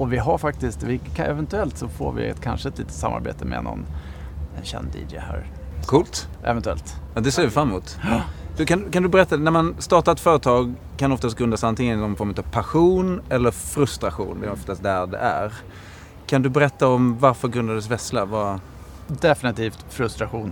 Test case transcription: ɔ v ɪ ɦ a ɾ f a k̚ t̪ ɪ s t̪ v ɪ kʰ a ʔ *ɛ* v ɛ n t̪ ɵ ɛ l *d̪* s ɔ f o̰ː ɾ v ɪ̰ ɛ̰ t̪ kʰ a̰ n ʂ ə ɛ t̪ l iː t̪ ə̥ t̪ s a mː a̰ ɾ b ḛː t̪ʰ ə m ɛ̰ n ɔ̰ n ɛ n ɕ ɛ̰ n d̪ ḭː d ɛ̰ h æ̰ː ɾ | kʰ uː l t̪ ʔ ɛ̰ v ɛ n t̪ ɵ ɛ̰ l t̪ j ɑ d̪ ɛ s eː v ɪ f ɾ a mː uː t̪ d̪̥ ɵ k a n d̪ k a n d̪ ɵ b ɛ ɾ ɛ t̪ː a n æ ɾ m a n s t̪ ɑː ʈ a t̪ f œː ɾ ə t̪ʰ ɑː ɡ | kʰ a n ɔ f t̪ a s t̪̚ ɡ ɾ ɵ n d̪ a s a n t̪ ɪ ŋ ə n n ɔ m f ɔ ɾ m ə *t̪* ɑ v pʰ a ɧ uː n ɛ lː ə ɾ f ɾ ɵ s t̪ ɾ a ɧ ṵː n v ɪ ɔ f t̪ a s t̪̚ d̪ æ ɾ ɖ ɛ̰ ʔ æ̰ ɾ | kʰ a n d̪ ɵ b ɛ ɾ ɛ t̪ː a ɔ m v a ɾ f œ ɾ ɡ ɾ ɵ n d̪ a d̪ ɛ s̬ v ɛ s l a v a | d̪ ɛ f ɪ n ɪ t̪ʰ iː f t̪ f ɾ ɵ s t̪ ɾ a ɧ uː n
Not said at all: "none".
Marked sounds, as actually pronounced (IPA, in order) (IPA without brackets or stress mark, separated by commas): ɛ, t̪, t̪